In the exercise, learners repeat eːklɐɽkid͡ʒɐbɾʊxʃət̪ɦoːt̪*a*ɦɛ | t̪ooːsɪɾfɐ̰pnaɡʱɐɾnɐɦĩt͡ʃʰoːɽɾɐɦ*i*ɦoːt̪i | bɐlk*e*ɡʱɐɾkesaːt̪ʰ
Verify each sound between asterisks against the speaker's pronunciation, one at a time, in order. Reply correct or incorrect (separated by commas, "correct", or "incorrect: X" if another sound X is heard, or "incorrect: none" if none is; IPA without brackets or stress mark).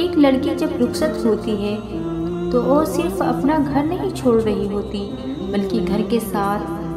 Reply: incorrect: i, correct, incorrect: i